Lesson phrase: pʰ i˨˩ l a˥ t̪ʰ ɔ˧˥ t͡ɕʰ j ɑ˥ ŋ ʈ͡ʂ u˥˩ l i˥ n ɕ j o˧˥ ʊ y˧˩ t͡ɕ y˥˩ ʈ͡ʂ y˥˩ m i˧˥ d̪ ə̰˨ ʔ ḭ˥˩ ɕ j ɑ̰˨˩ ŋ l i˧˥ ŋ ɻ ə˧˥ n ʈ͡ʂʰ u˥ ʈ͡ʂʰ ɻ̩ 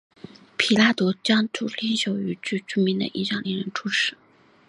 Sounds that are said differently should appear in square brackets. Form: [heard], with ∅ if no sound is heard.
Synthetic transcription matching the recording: pʰ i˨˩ l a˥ [t̪] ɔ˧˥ [t͡ɕ] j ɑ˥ ŋ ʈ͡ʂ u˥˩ l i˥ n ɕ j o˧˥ ʊ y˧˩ t͡ɕ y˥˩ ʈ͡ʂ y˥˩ m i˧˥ d̪ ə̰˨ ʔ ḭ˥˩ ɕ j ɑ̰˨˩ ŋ l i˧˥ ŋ ɻ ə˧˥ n ʈ͡ʂʰ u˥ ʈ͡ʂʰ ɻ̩